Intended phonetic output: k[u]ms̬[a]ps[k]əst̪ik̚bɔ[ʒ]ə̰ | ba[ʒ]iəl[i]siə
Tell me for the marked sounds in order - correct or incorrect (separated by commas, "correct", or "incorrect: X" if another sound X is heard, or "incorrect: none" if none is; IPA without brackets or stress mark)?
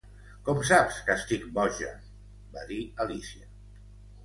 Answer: incorrect: ɔ, correct, correct, correct, incorrect: ð, correct